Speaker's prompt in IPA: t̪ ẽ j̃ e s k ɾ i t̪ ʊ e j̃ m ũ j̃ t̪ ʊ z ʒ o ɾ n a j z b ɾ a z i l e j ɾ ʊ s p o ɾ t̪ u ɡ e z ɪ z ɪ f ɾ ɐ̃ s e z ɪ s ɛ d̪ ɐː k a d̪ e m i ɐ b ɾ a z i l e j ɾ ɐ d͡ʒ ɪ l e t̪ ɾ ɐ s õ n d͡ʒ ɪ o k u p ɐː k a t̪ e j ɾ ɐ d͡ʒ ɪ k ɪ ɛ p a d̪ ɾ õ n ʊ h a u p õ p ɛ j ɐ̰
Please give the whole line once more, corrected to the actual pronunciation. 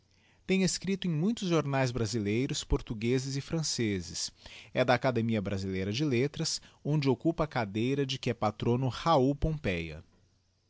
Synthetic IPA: t̪ ẽ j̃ e s k ɾ i t̪ ʊ ẽ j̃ m ũ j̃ t̪ ʊ z ʒ o ɾ n a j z b ɾ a z i l e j ɾ ʊ s p o ɾ t̪ u ɡ e z ɪ z ɪ f ɾ ɐ̃ s e z ɪ s ɛ d̪ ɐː k a d̪ e m i ɐ b ɾ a z i l e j ɾ ɐ d͡ʒ ɪ l e t̪ ɾ ɐ s õ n d͡ʒ ɪ o k u p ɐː k a d̪ e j ɾ ɐ d͡ʒ ɪ k ɪ ɛ p a t̪ ɾ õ n ʊ h a u p õ p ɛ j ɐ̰

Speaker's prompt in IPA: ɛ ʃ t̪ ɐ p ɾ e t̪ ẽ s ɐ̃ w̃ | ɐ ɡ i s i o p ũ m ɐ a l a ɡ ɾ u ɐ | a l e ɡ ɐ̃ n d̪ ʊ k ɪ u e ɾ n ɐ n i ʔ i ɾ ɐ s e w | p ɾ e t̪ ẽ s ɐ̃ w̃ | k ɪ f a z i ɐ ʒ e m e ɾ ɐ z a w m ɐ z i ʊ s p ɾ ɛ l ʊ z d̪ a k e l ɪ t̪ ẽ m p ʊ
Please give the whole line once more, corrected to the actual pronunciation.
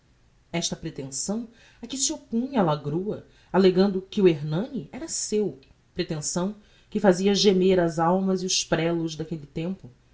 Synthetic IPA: ɛ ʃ t̪ ɐ p ɾ e t̪ ẽ s ɐ̃ w̃ | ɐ k i s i o p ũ ɲ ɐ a l a ɡ ɾ u ɐ | a l e ɡ ɐ̃ n d̪ ʊ k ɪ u e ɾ n ɐ̃ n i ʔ ɛ ɾ ɐ s e w | p ɾ e t̪ ẽ s ɐ̃ w̃ | k ɪ f a z i ɐ ʒ e m e ɾ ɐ z a w m ɐ z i ʊ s p ɾ ɛ l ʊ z d̪ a k e l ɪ t̪ ẽ m p ʊ

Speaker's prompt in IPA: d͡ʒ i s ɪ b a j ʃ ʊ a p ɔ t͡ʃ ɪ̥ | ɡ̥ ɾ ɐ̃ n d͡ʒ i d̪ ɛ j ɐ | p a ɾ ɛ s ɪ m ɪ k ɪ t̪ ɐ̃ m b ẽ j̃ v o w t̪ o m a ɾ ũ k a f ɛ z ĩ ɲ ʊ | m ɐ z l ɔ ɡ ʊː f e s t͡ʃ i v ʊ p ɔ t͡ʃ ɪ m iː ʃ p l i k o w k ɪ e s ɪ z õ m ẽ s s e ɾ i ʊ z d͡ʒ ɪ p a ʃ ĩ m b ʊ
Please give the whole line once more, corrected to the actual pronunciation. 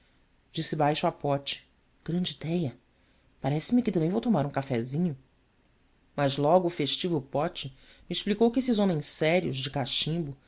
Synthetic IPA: d͡ʒ i s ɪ b a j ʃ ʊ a p ɔ t͡ʃ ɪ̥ | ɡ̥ ɾ ɐ̃ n d͡ʒ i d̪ ɛ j ɐ | p a ɾ ɛ s ɪ m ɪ k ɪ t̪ ɐ̃ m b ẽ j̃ v o w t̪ o m a ɾ ũ k a f ɛ z ĩ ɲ ʊ | m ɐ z l ɔ ɡ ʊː f e ʃ t͡ʃ i v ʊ p ɔ t͡ʃ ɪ m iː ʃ p l i k o w k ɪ e s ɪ z õ m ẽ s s ɛ ɾ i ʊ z d͡ʒ ɪ k a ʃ ĩ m b ʊ

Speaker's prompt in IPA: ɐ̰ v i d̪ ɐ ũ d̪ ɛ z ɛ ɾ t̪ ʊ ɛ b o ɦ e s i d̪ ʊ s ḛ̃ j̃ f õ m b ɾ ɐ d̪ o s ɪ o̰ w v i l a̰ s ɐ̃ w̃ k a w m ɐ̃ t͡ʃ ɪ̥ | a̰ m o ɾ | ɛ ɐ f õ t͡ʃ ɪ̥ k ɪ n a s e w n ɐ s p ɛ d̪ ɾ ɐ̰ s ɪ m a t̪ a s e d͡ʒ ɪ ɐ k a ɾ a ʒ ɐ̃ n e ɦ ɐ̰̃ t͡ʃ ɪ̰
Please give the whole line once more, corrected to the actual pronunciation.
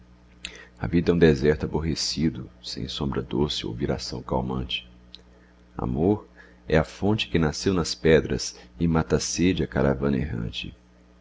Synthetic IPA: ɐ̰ v i d̪ ɐ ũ d̪ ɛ z ɛ ɾ t̪ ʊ a b o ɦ e s i d̪ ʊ s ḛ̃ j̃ s õ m b ɾ ɐ d̪ o s ɪ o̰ w v i ɾ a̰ s ɐ̃ w̃ k a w m ɐ̃ t͡ʃ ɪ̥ | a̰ m o ɾ | ɛ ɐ f õ t͡ʃ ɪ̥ k ɪ n a s e w n ɐ s p ɛ d̪ ɾ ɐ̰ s ɪ m a t̪ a s e d͡ʒ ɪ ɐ k a ɾ a v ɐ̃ n e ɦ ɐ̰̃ t͡ʃ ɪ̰

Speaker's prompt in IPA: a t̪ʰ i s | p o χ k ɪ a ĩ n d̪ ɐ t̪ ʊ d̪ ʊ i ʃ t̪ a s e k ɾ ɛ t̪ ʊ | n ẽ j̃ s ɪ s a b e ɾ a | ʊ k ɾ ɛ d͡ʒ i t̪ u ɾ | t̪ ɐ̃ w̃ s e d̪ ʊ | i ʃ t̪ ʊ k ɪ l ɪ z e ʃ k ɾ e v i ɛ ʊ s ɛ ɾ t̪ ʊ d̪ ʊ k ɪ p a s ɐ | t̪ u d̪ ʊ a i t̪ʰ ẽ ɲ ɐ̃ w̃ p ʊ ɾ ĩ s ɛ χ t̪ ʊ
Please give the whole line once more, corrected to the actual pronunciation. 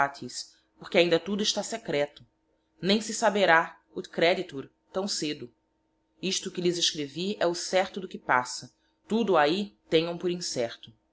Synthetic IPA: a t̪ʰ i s | p o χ k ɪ a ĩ n d̪ ɐ t̪ u d̪ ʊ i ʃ t̪ a s e k ɾ ɛ t̪ ʊ | n ẽ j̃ s ɪ s a b e ɾ a | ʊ k ɾ ɛ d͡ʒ i t̪ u ɾ | t̪ ɐ̃ w̃ s e d̪ ʊ | i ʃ t̪ ʊ k ɪ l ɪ z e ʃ k ɾ e v i ɛ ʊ s ɛ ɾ t̪ ʊ d̪ ʊ k ɪ p a s ɐ | t̪ u d̪ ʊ a i t̪ ẽ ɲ ɐ̃ w̃ p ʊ ɾ ĩ s ɛ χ t̪ ʊ

